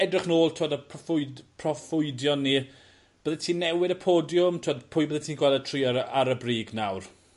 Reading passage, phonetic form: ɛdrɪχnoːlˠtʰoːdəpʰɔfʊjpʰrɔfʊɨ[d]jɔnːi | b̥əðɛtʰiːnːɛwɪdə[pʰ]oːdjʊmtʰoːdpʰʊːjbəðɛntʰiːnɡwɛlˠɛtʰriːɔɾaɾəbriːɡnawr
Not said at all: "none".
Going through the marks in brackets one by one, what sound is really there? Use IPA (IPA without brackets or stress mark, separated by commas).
d, pʰ